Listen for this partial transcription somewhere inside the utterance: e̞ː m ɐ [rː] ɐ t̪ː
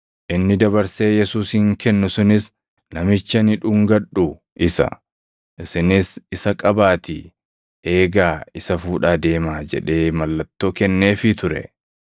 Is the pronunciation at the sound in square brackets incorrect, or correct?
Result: incorrect